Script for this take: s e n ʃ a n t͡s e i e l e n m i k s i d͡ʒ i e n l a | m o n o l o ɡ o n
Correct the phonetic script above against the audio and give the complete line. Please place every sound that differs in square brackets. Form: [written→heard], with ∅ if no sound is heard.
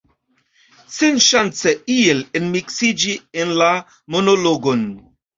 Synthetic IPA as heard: s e n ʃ a n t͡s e i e l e n m i k s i d͡ʒ i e n l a | m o n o l o ɡ o n